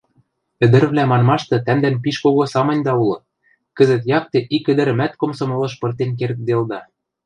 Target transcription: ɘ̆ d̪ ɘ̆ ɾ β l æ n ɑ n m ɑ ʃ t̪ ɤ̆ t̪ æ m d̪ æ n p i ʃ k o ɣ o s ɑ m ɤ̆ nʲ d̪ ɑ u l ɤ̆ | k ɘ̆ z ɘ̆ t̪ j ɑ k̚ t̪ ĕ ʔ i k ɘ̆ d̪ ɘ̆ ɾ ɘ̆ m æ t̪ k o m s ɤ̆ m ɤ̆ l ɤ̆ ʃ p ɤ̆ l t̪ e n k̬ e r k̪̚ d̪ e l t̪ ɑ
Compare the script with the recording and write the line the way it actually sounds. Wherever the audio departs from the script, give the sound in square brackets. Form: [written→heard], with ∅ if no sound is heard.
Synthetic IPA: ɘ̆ d̪ ɘ̆ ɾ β l æ [n→m] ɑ n m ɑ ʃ t̪ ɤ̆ t̪ æ m d̪ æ n p i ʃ k o ɣ o s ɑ m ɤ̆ nʲ d̪ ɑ u l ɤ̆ | k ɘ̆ z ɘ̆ t̪ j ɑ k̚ t̪ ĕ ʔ i k ɘ̆ d̪ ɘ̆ ɾ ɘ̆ m æ t̪ k o m s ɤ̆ m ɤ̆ l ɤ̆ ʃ p ɤ̆ [l→r] t̪ e n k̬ e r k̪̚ d̪ e l [t̪→d̪] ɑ